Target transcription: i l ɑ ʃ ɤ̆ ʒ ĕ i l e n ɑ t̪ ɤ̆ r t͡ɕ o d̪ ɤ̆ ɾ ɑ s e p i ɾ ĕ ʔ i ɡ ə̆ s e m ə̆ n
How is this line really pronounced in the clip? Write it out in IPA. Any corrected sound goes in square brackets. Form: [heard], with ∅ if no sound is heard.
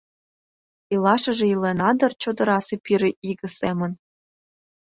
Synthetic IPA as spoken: i l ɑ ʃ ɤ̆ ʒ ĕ i l e n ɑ [d̪] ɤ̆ r t͡ɕ o d̪ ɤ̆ ɾ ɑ s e p i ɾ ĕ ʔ i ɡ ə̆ s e m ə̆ n